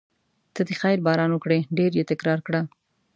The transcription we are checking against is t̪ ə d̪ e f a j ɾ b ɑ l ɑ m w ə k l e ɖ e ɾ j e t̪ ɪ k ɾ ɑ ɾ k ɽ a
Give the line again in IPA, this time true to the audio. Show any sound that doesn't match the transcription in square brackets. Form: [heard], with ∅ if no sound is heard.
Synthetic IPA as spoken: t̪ ə d̪ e [x] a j ɾ b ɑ [ɾ] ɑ [n] w ə k [ɽ] e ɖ e ɾ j e t̪ ɪ k ɾ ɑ ɾ k ɽ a